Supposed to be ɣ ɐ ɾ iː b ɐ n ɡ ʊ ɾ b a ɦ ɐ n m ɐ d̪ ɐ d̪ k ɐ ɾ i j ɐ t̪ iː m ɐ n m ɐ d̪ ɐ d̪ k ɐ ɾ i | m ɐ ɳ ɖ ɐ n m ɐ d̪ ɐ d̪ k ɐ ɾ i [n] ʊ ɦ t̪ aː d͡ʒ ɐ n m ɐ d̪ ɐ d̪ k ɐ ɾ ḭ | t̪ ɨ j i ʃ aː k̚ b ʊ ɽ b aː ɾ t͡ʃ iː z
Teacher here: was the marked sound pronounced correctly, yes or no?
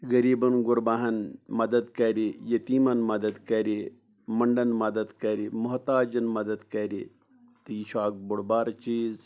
no